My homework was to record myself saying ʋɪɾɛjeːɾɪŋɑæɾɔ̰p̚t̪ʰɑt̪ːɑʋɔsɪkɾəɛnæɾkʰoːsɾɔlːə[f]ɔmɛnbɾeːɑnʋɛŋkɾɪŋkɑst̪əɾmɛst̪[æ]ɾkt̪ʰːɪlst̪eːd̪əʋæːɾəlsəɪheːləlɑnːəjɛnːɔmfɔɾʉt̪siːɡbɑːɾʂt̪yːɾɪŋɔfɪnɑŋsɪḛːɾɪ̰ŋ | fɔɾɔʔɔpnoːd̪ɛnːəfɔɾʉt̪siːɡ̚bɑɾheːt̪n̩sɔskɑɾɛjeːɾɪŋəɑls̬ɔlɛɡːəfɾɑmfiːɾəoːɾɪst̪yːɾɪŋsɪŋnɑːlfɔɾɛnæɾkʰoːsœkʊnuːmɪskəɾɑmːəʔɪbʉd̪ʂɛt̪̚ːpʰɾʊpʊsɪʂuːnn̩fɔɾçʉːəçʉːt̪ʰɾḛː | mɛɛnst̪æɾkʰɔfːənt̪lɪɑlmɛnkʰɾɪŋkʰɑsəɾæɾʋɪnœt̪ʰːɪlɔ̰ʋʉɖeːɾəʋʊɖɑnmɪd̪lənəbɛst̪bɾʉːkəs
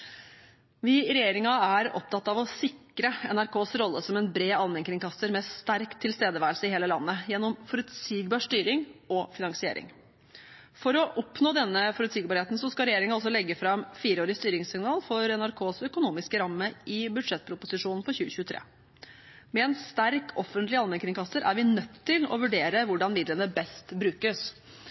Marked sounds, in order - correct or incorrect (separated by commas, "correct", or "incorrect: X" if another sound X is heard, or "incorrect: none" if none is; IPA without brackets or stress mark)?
incorrect: s, correct